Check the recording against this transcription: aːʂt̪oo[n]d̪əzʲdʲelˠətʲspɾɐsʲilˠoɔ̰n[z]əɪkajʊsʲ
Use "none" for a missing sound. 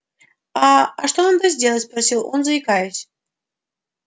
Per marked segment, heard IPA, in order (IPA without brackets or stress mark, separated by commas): n, z